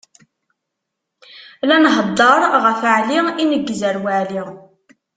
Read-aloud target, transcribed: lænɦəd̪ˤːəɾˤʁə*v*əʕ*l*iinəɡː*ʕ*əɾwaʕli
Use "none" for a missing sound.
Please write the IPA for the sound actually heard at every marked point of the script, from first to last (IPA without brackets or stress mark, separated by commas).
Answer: f, l, z